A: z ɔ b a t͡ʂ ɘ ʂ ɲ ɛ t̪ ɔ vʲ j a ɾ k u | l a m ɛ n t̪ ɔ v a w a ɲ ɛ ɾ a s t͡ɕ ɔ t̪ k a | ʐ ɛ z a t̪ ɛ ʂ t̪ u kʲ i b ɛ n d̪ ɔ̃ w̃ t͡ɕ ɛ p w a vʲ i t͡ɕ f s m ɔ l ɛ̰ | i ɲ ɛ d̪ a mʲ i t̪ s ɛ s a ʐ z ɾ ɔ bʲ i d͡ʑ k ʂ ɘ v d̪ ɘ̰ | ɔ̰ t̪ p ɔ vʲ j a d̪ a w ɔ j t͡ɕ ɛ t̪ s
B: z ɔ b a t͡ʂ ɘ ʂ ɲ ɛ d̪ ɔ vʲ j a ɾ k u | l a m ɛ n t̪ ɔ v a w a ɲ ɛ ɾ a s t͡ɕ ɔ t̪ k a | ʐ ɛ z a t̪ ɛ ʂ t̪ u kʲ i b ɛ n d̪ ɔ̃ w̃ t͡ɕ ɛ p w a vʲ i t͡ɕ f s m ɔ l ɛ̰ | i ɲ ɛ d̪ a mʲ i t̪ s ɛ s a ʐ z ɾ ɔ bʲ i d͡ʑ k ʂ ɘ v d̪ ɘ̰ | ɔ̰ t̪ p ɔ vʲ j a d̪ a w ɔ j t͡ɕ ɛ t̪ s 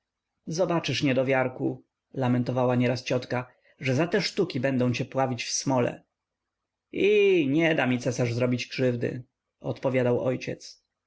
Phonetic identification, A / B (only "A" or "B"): B